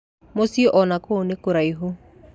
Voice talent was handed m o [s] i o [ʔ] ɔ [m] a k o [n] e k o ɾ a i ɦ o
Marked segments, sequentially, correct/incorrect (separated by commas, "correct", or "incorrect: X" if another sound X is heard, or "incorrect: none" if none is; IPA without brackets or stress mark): correct, correct, incorrect: n, correct